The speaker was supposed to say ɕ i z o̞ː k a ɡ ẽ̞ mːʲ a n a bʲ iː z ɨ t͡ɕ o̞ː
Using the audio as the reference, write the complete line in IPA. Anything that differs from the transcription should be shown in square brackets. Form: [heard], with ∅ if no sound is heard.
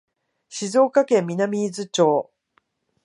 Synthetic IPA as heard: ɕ i z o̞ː k a [k] ẽ̞ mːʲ [i] n a [mʲ] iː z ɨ t͡ɕ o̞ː